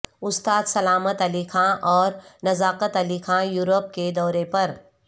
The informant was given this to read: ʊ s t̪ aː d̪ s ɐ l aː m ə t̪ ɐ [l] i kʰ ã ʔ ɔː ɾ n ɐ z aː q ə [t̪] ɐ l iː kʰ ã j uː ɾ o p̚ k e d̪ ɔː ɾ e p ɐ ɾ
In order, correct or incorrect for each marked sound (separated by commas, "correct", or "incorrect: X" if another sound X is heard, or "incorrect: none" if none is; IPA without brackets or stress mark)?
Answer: correct, correct